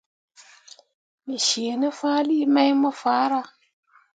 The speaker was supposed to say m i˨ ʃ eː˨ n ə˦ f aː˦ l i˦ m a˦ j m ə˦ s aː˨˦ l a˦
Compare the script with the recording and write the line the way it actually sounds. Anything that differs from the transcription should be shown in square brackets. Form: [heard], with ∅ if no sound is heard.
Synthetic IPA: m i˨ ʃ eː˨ n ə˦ f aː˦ l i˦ m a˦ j m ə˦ [f] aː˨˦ [ɾ] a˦